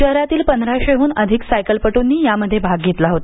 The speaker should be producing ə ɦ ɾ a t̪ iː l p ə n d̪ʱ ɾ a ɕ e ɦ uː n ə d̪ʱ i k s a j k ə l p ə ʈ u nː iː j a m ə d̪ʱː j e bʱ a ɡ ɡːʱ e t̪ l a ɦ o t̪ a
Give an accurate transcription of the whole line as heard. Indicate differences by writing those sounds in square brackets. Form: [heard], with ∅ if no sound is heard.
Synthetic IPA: ə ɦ ɾ a t̪ iː l p ə n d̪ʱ ɾ a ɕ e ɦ uː n ə d̪ʱ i k s a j k ə l p ə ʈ u nː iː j a m ə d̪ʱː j e bʱ a ɡ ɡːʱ e t̪ l a ɦ o t̪ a